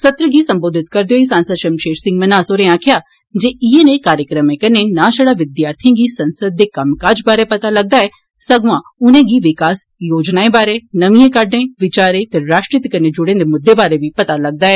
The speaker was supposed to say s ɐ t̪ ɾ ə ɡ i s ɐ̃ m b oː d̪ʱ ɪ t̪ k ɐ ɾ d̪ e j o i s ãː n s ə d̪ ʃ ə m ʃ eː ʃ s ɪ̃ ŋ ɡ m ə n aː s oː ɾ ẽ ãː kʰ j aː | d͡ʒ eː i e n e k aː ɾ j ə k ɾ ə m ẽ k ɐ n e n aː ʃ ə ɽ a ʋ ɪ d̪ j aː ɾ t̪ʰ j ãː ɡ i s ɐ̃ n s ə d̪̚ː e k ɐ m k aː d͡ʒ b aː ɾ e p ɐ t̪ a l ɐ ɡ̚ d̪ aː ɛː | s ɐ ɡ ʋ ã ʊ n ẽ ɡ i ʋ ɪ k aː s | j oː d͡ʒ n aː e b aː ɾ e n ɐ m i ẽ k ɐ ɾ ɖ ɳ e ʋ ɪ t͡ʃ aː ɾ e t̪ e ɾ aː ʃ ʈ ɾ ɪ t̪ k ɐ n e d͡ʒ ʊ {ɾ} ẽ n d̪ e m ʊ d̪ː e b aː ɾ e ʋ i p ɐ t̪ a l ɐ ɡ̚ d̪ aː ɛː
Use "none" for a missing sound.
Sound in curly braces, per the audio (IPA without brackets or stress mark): ɽ